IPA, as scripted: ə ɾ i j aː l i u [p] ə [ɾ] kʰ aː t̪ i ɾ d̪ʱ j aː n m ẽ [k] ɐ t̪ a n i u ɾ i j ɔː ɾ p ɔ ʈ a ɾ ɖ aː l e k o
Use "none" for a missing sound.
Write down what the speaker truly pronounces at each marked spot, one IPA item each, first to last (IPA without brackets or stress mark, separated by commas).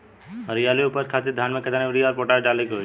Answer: p, ɾ, k